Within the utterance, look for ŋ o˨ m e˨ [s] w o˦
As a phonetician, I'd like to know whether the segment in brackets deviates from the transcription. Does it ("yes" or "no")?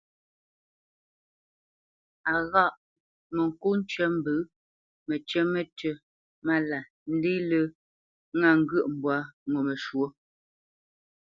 yes